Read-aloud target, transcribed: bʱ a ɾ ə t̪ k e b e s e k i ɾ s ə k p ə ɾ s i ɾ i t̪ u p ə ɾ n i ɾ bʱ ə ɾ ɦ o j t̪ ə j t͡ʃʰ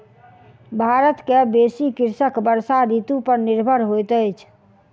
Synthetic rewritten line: bʱ a ɾ ə t̪ k e b e s i k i ɾ s ə k b ə ɾ s a ɾ i t̪ u p ə ɾ n i ɾ bʱ ə ɾ ɦ o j t̪ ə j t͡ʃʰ